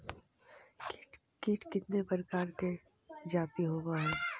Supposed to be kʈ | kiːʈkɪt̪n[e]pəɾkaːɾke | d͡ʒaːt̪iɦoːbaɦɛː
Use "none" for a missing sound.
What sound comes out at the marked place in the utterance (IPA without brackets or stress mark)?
e